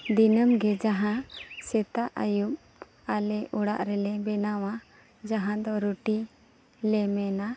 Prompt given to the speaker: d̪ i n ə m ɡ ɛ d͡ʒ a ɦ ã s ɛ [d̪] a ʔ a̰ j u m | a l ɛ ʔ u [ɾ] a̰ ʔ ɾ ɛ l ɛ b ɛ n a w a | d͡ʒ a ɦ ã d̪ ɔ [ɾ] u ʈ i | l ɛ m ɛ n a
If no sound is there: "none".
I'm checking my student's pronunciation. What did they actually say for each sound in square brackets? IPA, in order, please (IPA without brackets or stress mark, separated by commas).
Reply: t̪, ɽ, ɾ